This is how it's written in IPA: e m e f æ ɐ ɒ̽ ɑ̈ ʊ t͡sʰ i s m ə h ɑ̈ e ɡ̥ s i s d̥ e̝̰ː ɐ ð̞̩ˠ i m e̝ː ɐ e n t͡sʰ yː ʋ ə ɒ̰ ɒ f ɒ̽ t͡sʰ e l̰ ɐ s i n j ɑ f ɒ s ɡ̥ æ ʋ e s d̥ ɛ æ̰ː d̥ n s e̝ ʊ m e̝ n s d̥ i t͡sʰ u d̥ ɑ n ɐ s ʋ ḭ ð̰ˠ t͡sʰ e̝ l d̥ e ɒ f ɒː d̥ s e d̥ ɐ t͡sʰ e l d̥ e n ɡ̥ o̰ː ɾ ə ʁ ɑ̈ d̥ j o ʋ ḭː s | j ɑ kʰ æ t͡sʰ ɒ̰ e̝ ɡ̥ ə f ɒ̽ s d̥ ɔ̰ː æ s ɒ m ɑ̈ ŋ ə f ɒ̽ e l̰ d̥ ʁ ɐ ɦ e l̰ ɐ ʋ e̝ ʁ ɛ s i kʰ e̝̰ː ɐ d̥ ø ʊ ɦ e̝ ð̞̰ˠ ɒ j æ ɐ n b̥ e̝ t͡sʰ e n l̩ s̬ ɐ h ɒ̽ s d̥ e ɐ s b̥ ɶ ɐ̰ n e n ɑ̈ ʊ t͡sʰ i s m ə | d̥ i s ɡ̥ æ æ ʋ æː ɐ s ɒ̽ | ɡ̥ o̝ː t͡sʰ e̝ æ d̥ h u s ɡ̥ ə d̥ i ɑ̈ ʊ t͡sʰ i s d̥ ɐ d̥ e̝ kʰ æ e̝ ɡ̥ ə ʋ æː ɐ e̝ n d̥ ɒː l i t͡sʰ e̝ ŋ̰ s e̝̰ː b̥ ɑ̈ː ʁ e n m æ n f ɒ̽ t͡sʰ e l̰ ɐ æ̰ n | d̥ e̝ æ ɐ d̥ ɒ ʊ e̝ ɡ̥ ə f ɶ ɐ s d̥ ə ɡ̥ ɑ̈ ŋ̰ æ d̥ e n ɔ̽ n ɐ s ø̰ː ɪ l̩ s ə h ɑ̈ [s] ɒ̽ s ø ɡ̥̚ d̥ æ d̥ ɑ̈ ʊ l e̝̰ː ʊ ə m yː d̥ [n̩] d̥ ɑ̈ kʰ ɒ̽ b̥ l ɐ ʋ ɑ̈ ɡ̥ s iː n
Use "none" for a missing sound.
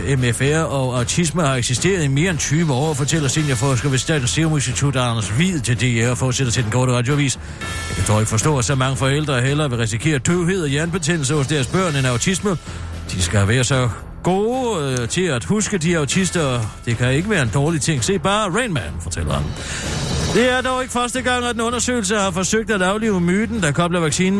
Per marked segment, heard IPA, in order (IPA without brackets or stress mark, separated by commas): f, n̩